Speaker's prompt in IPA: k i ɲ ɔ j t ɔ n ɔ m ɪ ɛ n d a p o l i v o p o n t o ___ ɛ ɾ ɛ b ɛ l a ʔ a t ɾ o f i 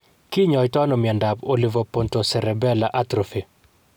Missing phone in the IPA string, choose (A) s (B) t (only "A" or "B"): A